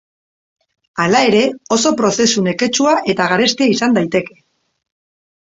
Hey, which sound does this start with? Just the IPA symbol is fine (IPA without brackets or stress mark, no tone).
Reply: a